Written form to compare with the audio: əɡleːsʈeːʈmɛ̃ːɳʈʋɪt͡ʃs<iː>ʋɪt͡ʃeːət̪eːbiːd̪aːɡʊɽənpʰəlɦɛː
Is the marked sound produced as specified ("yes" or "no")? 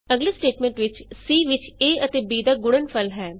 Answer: yes